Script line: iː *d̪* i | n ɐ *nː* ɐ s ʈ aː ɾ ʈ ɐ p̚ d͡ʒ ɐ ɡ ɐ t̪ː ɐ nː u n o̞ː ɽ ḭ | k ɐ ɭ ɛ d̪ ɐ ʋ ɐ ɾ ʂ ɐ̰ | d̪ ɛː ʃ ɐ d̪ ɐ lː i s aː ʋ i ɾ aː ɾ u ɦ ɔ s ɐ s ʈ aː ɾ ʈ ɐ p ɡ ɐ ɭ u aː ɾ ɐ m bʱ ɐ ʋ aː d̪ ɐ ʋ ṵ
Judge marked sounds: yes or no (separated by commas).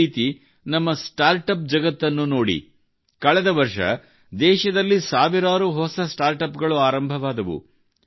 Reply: no, no